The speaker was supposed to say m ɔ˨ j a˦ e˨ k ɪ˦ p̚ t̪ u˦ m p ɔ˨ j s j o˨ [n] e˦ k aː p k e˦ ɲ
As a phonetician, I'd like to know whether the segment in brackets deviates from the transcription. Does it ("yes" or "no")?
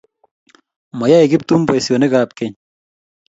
no